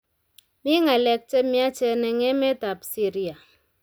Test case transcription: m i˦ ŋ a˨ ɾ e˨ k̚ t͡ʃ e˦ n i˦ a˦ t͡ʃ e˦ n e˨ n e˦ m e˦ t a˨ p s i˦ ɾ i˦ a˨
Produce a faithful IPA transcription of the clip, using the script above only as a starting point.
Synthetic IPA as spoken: m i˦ ŋ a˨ l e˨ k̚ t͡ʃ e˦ m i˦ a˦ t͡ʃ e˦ n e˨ ŋ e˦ m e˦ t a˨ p s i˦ ɾ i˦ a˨

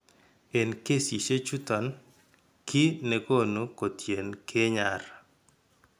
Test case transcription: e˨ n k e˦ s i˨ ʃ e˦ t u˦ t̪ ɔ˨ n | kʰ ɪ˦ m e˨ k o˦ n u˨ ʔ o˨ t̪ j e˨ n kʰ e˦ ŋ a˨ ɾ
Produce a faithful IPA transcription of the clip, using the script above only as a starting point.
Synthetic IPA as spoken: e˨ n k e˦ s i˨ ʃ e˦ t͡ʃ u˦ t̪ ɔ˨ n | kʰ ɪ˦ n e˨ k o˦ n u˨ k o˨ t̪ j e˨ n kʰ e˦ ɲ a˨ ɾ

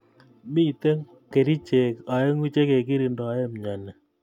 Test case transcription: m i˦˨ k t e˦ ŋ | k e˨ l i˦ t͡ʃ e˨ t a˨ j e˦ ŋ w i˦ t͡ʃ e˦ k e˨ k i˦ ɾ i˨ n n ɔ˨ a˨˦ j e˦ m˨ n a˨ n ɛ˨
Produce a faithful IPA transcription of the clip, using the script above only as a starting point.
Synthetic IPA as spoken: m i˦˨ t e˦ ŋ | k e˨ ɾ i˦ t͡ʃ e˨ k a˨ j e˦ ŋ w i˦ t͡ʃ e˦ k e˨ k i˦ ɾ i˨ n d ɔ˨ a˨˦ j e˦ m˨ ɲ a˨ n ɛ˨

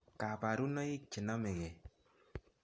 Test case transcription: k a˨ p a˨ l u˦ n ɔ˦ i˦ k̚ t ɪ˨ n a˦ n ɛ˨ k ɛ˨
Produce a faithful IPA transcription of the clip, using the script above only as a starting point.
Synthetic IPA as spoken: k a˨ p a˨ ɾ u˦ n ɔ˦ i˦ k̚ t͡ʃ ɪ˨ n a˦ m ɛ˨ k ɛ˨

